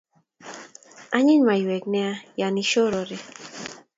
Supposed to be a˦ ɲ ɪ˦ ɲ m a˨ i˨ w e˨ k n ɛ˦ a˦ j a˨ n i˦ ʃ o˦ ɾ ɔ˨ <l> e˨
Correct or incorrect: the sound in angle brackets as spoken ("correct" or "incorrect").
incorrect